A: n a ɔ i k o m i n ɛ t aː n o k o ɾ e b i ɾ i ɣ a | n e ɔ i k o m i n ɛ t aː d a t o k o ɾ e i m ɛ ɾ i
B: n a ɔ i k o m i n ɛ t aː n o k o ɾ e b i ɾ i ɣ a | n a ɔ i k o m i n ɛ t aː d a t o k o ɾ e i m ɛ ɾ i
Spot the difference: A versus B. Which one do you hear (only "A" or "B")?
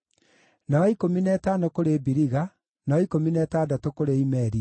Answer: B